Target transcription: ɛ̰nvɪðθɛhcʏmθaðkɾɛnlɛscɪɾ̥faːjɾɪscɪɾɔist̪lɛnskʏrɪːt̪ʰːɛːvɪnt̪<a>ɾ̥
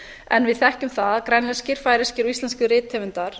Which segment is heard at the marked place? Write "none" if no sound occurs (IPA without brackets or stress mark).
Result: a